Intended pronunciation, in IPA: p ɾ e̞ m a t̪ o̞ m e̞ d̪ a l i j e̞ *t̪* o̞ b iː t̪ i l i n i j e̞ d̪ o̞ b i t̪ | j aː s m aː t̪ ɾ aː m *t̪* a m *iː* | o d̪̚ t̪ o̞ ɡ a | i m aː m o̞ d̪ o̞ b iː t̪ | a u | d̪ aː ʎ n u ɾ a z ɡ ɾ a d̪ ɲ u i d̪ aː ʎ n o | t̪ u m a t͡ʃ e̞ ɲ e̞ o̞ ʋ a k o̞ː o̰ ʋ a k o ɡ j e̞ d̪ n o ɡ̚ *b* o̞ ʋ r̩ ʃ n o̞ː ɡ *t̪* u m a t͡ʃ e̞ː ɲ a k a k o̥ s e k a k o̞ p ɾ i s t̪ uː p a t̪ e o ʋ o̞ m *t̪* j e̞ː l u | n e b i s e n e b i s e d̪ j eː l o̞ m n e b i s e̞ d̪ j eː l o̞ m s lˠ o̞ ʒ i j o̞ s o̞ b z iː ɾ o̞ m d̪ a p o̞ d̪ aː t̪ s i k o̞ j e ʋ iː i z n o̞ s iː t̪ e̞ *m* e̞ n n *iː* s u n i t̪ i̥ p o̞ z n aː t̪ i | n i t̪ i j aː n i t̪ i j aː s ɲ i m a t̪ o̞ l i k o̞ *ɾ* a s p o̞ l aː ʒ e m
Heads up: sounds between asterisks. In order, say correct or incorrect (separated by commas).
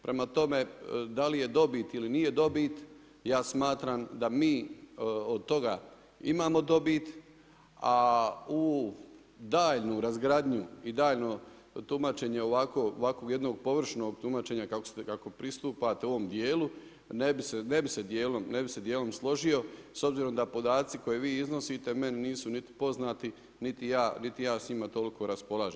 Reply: incorrect, incorrect, correct, incorrect, correct, incorrect, correct, correct, correct